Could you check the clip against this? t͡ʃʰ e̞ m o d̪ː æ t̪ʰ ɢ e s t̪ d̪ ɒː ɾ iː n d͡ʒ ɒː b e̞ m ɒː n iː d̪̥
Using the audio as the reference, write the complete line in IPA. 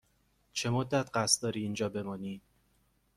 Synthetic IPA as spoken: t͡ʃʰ e̞ m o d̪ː æ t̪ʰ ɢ æ s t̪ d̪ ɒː ɾ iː n d͡ʒ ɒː b e̞ m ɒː n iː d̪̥